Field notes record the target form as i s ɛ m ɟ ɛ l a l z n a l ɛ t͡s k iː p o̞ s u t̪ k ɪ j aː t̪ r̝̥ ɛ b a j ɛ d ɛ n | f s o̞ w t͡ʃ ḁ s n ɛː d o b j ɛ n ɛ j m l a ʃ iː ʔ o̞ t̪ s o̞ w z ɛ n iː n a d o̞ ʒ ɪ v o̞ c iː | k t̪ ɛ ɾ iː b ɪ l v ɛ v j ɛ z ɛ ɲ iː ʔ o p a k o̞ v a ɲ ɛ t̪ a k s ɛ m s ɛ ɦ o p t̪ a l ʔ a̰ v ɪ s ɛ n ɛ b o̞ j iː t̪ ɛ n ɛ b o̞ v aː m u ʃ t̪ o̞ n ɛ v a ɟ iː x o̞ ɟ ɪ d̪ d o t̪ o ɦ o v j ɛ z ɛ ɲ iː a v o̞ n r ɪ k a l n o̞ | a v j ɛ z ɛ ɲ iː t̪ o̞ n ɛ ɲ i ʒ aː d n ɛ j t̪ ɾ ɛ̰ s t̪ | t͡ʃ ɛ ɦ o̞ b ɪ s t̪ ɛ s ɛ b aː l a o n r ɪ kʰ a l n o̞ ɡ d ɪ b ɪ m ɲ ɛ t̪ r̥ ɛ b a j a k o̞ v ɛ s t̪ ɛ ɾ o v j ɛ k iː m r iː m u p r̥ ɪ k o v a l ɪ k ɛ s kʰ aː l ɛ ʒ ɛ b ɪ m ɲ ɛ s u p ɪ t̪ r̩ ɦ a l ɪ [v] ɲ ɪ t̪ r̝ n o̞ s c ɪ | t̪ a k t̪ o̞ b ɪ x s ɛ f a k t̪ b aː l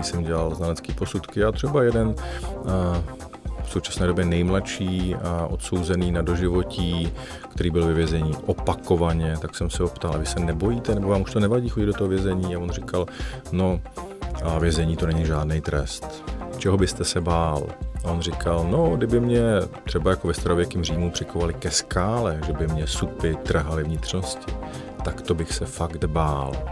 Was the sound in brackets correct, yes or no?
yes